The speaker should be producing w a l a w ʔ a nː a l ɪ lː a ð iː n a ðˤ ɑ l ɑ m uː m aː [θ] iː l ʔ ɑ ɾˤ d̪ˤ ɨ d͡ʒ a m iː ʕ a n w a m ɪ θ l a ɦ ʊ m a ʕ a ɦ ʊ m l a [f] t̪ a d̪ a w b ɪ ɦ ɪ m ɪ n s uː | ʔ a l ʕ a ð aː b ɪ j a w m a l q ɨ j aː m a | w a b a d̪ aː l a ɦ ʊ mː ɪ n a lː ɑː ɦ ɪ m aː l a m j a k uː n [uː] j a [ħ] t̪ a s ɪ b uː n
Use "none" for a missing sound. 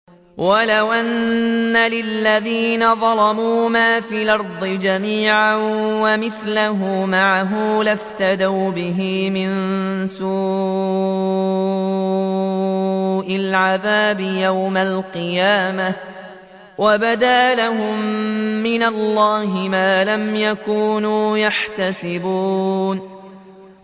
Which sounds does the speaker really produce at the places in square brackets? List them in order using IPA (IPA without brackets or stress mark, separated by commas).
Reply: f, f, uː, ħ